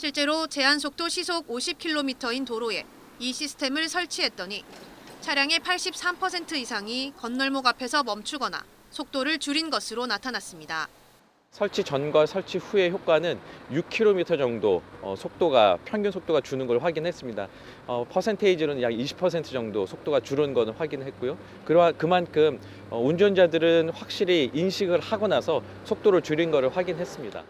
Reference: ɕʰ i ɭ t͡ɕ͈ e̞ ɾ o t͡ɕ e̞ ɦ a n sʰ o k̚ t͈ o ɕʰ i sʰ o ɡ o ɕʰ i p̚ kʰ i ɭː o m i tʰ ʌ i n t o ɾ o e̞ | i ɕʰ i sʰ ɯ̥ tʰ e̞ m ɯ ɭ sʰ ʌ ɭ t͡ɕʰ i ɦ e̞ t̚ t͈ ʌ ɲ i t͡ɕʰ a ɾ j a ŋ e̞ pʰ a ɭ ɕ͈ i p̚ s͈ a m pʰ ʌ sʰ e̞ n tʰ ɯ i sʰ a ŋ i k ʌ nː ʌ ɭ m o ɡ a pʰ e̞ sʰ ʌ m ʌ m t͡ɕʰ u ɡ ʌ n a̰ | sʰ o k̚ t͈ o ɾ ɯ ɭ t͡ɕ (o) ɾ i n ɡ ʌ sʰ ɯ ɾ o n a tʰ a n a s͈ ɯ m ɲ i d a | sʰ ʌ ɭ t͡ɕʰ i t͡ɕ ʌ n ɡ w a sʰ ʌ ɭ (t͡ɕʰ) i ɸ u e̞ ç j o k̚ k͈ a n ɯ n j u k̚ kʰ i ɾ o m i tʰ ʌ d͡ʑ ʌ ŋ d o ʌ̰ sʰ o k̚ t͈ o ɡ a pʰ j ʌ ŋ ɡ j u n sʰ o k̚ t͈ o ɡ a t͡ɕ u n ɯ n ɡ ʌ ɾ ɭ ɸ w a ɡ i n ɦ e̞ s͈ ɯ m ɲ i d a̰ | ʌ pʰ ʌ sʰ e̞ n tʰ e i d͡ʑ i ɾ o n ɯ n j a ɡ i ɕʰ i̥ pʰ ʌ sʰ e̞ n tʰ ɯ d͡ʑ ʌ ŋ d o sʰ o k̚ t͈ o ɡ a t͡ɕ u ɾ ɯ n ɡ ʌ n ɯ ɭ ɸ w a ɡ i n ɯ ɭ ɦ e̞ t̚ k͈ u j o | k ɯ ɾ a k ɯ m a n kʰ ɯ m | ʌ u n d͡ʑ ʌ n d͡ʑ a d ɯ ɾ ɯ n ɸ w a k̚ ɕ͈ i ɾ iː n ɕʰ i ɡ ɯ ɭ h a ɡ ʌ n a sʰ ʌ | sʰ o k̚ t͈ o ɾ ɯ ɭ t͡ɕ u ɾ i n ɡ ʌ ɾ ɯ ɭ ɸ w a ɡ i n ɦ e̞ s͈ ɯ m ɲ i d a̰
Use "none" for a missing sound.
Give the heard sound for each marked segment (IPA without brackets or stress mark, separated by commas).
u, t͡ɕʰ